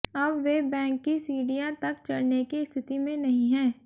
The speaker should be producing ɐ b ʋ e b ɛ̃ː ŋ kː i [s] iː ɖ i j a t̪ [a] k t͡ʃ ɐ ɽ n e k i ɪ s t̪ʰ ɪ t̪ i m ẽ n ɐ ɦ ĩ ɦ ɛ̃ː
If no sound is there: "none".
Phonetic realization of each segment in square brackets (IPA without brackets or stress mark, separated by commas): s, ɐ